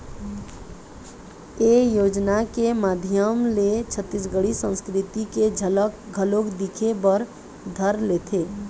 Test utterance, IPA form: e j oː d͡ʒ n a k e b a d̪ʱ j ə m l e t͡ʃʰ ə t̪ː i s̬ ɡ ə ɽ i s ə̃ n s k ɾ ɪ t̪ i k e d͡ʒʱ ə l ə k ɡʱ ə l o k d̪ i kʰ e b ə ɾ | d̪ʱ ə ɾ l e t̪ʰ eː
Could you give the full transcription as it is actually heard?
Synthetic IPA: e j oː d͡ʒ n a k e m a d̪ʱ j ə m l e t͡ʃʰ ə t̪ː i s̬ ɡ ə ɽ i s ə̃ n s k ɾ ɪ t̪ i k e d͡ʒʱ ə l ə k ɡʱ ə l o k d̪ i kʰ e b ə ɾ | d̪ʱ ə ɾ l e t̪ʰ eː